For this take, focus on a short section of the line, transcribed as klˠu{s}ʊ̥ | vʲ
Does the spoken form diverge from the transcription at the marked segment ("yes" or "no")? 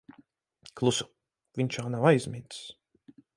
no